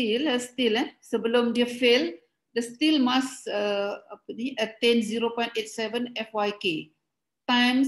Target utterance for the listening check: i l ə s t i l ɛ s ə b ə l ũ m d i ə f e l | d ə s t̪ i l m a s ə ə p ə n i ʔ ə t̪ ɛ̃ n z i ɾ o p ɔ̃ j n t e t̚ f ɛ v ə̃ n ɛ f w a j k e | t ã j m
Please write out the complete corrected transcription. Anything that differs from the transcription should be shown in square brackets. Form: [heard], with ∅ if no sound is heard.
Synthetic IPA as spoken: i l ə s t i l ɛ s ə b ə l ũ m d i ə f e l | d ə s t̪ i l m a s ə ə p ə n i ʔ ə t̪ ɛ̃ n z i ɾ o p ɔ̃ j n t e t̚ [s] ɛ v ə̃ n ɛ f w a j k e | t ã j m